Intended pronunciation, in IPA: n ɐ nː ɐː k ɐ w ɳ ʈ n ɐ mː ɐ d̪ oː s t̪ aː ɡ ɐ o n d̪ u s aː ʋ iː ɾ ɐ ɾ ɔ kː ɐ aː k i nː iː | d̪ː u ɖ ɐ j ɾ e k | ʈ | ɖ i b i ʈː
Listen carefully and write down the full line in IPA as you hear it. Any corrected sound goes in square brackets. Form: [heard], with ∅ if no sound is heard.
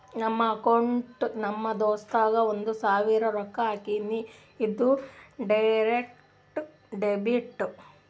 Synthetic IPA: n ɐ [mː] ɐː k ɐ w ɳ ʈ n ɐ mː ɐ d̪ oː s t̪ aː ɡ ɐ o n d̪ u s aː ʋ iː ɾ ɐ ɾ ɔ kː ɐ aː k i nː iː | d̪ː u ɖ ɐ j ɾ e k | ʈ | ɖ [e] b i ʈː